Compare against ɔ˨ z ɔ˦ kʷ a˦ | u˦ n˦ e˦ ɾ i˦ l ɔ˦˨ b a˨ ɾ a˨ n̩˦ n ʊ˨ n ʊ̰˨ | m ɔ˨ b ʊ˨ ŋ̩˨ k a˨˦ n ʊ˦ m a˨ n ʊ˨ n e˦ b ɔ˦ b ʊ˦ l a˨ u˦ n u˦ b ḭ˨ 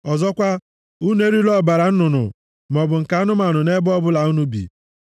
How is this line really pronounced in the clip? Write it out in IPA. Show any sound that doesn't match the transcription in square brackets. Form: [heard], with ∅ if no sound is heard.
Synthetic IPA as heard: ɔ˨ z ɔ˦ kʷ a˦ | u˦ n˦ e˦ ɾ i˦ l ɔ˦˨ b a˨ ɾ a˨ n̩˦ n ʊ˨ n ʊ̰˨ | m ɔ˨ b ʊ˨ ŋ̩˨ k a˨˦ n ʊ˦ m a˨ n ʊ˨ n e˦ b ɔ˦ b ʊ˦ l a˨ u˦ n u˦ b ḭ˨